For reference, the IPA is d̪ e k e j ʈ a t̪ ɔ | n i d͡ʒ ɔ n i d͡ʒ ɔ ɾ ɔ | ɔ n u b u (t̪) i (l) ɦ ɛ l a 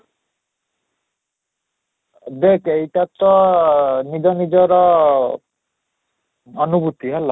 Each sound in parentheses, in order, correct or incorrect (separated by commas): correct, incorrect